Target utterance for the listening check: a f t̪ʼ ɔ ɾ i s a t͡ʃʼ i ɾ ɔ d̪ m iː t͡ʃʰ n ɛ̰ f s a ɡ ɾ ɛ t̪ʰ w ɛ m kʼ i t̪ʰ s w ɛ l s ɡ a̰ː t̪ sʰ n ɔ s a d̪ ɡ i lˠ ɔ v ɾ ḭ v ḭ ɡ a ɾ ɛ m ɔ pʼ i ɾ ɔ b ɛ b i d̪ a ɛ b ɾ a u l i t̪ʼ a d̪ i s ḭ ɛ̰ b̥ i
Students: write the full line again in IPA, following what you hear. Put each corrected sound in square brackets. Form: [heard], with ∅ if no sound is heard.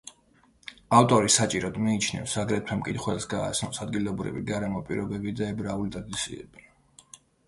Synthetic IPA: a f t̪ʼ ɔ ɾ i s a t͡ʃʼ i ɾ ɔ d̪ m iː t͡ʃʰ n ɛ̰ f s a ɡ ɾ ɛ t̪ʰ w ɛ m kʼ i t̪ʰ [χ] w ɛ l s ɡ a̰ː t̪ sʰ n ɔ s a d̪ ɡ i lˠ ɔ [b] ɾ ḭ v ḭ ɡ a ɾ ɛ m ɔ pʼ i ɾ ɔ b ɛ b i d̪ a ɛ b ɾ a u l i t̪ʼ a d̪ i s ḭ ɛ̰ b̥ i